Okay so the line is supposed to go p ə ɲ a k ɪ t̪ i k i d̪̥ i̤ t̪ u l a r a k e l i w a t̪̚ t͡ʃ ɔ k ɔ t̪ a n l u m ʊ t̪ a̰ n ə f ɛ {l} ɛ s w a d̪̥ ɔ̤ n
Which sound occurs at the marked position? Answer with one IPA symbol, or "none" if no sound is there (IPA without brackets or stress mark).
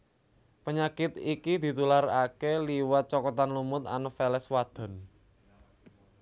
l